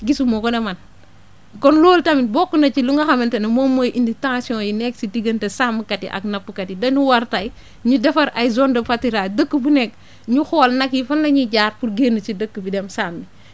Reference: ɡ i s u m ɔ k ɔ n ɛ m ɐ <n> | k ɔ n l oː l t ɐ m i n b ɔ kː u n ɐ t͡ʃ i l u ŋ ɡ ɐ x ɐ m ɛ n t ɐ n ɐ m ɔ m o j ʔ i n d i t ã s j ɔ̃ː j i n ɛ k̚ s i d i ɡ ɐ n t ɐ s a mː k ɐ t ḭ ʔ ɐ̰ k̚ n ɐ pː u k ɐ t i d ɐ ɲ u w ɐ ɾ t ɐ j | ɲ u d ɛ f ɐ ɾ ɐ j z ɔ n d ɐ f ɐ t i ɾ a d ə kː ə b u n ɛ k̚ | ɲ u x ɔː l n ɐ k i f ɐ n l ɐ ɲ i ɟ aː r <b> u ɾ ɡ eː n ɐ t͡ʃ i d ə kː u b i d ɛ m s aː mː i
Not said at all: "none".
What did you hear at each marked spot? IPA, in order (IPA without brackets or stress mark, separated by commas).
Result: n, p